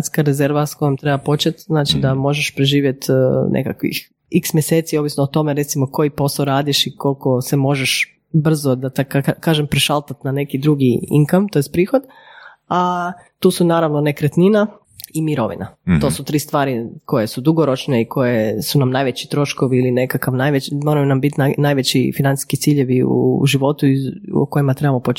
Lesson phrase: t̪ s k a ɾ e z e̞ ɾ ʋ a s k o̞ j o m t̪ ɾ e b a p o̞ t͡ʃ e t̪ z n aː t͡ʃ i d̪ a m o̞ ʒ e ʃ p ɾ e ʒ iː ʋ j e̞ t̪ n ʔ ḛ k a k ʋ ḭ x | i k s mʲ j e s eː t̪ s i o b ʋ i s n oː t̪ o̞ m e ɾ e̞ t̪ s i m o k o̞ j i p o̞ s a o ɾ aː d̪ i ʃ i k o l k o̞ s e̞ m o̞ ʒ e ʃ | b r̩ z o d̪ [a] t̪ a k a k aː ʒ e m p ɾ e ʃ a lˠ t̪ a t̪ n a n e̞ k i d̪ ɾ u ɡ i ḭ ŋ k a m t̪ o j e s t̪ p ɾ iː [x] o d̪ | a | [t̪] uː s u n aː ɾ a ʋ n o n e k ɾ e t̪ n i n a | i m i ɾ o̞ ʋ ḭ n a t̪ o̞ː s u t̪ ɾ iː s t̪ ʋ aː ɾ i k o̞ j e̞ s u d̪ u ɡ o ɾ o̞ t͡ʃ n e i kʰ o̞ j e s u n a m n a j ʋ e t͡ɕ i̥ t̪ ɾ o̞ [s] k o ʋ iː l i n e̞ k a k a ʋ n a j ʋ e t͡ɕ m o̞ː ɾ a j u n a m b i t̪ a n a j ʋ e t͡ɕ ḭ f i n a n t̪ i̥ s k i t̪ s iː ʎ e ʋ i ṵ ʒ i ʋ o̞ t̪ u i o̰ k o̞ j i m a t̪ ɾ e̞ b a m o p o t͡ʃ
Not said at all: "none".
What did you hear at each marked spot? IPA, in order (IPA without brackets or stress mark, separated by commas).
a, x, t̪, ʃ